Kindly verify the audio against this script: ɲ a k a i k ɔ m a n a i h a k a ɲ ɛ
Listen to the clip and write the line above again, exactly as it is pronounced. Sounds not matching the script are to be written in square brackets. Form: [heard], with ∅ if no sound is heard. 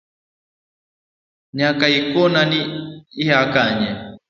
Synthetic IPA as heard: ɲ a k a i k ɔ [n] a n [i] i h a k a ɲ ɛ